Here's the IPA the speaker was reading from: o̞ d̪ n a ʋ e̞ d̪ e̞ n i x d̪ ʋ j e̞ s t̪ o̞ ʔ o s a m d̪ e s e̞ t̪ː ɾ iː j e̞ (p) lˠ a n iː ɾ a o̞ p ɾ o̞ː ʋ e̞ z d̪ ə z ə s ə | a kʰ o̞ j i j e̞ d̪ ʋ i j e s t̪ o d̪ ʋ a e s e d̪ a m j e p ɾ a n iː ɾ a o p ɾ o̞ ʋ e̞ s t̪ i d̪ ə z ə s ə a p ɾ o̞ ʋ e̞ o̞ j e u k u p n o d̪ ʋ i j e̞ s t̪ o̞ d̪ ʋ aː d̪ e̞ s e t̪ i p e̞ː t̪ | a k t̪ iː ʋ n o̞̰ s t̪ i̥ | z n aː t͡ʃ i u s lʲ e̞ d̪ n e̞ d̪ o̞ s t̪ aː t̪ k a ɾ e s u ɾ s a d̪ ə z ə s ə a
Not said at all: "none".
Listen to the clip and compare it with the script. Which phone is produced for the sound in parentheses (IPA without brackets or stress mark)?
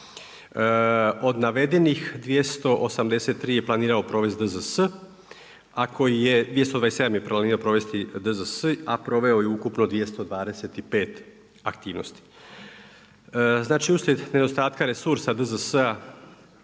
p